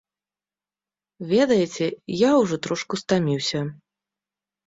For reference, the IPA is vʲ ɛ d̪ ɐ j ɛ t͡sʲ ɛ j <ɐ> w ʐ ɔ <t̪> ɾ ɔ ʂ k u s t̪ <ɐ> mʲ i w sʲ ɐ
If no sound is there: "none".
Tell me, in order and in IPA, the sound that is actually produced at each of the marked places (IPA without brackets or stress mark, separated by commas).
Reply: a, t̪, a